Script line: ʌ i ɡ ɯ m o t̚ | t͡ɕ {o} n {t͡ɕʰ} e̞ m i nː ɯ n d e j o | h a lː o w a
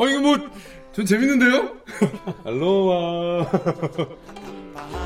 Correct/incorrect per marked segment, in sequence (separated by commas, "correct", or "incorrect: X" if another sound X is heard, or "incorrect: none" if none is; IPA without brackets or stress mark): correct, incorrect: t͡ɕ